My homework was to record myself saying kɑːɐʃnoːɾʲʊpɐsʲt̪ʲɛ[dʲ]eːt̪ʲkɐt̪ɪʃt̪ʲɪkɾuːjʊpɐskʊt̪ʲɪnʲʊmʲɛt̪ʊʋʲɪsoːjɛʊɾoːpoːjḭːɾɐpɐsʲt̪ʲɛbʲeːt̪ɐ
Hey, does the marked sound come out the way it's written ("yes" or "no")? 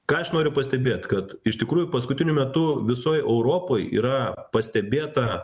no